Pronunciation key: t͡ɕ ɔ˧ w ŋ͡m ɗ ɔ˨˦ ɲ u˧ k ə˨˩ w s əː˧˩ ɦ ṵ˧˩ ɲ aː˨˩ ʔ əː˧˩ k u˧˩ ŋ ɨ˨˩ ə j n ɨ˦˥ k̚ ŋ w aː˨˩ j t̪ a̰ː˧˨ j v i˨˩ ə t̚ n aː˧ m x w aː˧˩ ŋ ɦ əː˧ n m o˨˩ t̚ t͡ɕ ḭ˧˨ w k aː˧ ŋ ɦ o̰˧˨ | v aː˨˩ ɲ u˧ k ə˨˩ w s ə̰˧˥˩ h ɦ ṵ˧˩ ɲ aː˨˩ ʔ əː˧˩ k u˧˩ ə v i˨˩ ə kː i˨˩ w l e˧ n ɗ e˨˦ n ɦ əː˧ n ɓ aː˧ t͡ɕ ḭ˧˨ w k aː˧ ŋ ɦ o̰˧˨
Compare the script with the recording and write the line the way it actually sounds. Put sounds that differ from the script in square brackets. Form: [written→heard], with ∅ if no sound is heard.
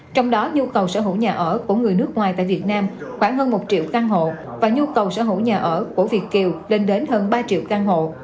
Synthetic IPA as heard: t͡ɕ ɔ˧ w ŋ͡m ɗ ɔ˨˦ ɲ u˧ k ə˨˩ w s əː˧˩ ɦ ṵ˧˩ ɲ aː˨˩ ʔ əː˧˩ k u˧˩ ŋ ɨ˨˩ ə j n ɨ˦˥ k̚ ŋ w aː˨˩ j t̪ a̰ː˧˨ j v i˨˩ ə t̚ n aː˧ m x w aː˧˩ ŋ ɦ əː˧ n m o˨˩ t̚ t͡ɕ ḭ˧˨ w k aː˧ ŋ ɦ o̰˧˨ | v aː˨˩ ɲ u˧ k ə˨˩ w s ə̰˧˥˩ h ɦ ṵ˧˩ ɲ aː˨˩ ʔ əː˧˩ k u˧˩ ə v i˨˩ ə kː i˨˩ w l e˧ n ɗ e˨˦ n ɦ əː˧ n ɓ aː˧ t͡ɕ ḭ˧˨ w k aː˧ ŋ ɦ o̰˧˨